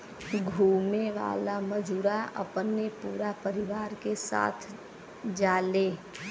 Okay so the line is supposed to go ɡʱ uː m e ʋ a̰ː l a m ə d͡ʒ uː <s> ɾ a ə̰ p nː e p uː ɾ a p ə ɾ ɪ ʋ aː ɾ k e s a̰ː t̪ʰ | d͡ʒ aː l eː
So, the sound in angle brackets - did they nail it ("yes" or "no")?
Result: no